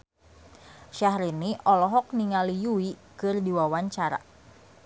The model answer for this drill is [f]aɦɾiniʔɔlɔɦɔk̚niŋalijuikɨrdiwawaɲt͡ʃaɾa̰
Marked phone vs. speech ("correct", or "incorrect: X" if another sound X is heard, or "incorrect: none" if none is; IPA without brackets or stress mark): incorrect: ʃ